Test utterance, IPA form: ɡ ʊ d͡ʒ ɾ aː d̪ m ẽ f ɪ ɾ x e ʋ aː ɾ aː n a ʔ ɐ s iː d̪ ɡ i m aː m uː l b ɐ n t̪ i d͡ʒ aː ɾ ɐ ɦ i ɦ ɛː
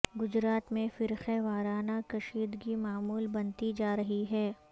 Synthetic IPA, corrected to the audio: ɡ ʊ d͡ʒ ɾ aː t̪ m ẽ f ɪ ɾ x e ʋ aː ɾ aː n a k ɐ ʃ iː d̪ ɡ i m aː m uː l b ɐ n t̪ i d͡ʒ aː ɾ ɐ ɦ i ɦ ɛː